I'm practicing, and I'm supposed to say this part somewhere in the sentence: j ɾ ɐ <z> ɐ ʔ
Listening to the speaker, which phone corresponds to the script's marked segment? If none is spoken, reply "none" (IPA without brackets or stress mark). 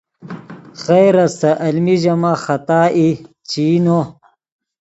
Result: s